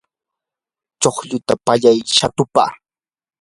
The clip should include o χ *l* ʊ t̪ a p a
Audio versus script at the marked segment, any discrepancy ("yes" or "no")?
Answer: yes